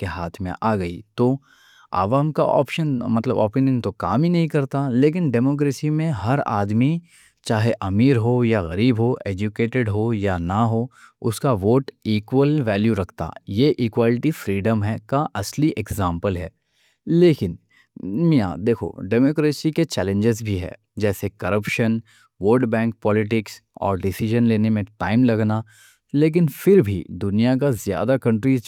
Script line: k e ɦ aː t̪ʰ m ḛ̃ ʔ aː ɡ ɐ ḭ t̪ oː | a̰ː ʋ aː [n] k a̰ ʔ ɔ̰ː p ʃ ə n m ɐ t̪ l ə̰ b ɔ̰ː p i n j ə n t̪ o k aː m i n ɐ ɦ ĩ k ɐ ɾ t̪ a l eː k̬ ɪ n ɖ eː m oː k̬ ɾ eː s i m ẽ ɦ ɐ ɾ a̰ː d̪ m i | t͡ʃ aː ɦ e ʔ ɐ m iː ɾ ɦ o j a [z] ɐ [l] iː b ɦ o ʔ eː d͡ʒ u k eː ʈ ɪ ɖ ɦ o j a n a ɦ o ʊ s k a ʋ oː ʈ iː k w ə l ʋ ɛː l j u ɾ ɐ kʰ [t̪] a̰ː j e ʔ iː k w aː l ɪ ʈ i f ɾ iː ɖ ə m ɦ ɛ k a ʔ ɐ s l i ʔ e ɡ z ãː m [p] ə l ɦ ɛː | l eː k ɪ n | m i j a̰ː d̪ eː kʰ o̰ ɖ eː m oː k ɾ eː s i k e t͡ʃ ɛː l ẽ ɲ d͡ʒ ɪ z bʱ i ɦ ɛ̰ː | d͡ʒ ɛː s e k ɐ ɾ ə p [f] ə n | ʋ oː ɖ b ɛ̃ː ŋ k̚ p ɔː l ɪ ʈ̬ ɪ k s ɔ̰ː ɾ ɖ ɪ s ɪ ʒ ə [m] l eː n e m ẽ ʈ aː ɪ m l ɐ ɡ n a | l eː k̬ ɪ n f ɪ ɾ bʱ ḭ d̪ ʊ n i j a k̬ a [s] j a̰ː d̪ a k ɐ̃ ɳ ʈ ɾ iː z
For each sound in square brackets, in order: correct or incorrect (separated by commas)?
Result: incorrect, incorrect, incorrect, correct, correct, incorrect, incorrect, incorrect